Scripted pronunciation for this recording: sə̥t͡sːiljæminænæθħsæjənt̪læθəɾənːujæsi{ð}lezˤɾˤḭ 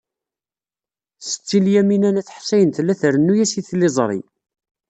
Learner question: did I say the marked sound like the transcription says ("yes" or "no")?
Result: no